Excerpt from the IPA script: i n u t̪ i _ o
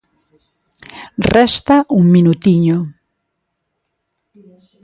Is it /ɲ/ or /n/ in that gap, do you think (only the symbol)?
ɲ